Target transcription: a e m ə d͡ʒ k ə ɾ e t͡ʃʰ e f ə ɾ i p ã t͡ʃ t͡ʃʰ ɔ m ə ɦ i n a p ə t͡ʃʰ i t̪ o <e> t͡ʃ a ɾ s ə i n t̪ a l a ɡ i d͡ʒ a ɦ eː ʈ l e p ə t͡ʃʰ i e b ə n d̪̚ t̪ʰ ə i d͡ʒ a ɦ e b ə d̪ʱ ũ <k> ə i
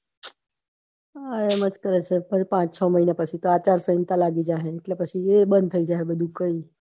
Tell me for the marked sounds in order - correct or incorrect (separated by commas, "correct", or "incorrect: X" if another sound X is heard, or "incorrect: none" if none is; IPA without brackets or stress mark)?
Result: incorrect: a, correct